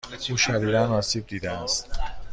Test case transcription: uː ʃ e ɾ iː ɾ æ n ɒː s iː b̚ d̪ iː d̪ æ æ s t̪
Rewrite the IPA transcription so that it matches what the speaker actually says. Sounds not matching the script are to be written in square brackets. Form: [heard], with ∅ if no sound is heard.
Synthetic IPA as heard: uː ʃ [æ] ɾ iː ɾ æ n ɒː s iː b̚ d̪ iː d̪ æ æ s t̪